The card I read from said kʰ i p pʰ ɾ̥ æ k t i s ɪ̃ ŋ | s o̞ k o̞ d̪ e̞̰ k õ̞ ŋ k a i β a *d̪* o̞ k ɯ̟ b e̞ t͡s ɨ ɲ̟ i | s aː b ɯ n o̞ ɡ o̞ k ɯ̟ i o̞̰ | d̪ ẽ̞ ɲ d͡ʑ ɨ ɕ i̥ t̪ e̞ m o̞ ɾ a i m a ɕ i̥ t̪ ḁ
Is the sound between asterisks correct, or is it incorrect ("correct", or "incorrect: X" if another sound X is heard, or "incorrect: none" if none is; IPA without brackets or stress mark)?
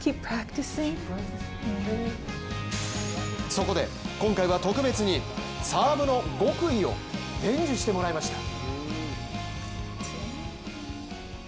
incorrect: t̪